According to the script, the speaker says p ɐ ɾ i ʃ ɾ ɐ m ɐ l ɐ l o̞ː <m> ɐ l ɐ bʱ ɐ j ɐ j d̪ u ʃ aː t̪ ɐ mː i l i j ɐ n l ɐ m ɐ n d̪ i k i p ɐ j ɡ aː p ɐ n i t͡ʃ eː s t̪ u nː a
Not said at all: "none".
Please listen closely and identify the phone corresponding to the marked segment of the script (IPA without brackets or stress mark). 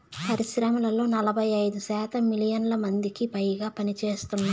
n